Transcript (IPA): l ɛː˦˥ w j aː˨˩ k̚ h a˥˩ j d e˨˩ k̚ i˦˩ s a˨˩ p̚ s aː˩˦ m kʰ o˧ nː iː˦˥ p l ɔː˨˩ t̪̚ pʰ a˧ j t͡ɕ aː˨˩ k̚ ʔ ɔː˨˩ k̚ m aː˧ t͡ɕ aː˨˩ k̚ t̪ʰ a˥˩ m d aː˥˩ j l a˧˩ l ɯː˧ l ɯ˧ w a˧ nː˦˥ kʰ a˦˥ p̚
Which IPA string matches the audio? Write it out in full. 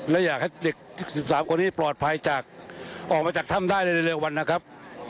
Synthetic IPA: l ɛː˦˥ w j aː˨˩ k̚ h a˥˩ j d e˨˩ k̚ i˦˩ s i˨˩ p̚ s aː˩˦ m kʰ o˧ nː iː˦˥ p l ɔː˨˩ t̪̚ pʰ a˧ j t͡ɕ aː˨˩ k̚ ʔ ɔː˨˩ k̚ m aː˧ t͡ɕ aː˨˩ k̚ t̪ʰ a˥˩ m d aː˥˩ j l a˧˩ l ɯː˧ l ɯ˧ w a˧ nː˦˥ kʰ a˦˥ p̚